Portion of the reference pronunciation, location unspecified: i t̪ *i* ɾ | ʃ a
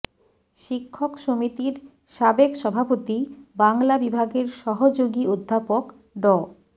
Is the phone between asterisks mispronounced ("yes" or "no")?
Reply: no